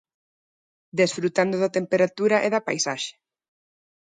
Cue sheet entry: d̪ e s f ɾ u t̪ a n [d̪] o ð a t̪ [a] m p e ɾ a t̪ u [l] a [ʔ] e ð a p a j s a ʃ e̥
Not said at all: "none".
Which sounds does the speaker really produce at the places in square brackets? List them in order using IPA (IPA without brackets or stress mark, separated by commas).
d̪, e, ɾ, ʔ